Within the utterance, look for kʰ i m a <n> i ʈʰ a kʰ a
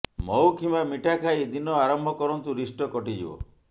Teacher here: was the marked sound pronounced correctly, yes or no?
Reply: no